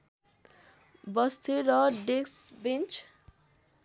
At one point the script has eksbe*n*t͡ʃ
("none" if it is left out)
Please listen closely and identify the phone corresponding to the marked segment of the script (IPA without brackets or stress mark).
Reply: n